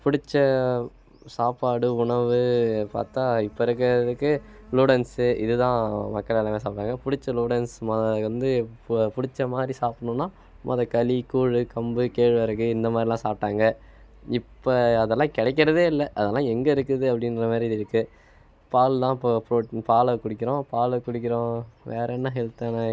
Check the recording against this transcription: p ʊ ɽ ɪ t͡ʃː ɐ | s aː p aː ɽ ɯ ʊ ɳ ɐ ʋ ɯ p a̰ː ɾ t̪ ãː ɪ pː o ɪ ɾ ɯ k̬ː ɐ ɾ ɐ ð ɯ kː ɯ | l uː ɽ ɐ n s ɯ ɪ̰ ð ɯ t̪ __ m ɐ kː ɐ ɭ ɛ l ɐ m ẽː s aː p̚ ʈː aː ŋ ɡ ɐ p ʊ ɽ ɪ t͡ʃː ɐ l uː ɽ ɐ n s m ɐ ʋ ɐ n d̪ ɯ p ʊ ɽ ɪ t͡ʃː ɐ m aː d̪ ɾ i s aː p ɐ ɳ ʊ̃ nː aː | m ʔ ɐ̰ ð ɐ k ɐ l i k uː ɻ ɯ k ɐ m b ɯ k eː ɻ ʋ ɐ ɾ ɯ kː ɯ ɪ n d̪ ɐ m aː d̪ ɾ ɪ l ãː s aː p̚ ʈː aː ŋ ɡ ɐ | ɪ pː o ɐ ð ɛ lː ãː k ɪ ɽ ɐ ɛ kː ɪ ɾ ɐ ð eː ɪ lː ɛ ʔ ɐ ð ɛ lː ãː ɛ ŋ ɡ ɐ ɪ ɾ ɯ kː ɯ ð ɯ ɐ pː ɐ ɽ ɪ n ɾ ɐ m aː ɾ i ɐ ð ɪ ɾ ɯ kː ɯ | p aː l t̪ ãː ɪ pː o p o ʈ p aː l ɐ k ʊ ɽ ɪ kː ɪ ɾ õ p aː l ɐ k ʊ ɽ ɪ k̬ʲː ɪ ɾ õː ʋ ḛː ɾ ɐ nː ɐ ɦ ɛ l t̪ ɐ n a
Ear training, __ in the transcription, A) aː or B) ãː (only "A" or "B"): B